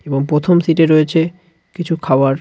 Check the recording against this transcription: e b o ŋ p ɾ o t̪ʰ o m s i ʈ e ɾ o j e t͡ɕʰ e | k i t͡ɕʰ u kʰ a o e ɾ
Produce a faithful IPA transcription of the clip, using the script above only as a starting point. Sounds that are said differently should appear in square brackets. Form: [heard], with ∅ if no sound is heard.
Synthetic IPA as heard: e b o ŋ p ɾ o t̪ʰ o m s i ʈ e ɾ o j e t͡ɕʰ e | k i t͡ɕʰ u kʰ a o [a] ɾ